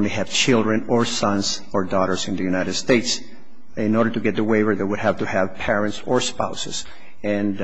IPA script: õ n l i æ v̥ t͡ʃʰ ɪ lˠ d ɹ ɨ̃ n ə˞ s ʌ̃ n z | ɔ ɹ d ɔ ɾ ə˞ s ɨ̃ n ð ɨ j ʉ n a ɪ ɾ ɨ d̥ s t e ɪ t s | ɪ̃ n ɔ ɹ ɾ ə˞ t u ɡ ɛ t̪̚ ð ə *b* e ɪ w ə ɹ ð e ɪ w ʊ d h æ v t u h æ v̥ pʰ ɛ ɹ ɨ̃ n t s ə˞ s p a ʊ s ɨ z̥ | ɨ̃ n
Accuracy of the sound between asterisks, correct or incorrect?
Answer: incorrect: w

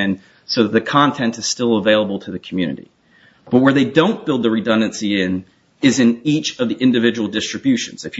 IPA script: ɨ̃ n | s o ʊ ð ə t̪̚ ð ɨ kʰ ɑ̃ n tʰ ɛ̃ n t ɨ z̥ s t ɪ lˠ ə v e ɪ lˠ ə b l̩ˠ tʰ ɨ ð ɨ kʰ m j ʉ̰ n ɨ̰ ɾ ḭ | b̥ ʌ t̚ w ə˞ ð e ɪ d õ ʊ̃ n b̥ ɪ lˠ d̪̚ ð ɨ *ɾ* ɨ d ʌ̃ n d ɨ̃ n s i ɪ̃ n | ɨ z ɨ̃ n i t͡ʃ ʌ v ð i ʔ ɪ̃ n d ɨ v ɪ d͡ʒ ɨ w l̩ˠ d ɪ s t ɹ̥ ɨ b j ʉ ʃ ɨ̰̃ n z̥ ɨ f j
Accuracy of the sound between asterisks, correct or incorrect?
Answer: incorrect: ɹ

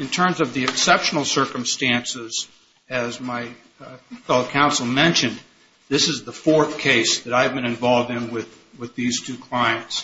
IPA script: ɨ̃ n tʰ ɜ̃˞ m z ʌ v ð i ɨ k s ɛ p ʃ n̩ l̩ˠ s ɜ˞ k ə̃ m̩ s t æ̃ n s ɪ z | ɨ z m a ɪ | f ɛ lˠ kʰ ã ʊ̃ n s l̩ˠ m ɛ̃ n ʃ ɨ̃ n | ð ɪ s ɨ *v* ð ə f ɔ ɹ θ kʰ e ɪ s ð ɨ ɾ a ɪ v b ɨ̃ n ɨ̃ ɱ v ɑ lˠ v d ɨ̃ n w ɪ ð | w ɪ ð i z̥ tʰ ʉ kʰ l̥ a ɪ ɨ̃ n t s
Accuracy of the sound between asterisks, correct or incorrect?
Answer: incorrect: z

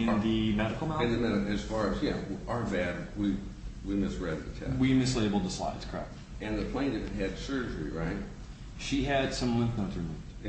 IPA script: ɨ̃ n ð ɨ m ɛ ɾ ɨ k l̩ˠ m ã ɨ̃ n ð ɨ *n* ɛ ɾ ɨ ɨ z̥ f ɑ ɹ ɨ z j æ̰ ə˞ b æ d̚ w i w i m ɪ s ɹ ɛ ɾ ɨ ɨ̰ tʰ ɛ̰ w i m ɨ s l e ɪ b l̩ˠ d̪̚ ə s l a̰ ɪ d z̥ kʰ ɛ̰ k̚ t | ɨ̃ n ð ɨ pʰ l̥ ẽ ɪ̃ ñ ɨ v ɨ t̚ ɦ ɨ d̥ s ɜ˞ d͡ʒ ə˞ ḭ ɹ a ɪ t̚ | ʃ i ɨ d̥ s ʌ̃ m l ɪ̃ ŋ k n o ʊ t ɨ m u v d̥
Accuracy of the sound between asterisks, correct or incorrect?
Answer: incorrect: m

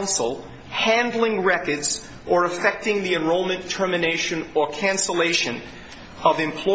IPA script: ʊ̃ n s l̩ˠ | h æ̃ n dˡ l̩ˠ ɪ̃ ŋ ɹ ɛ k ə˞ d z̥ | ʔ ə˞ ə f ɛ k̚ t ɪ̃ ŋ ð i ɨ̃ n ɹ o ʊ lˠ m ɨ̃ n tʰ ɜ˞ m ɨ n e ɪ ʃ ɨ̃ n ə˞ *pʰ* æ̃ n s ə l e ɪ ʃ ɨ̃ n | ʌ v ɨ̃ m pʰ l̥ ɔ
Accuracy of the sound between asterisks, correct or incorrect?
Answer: incorrect: kʰ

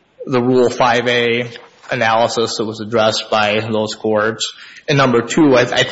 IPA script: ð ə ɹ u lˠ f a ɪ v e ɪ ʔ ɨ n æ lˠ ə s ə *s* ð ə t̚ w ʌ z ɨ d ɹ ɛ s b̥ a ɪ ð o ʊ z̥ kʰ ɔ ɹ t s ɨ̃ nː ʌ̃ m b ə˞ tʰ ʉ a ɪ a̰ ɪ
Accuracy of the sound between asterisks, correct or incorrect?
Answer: correct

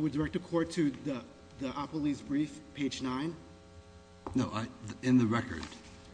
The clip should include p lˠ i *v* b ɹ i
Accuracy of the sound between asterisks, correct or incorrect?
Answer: incorrect: z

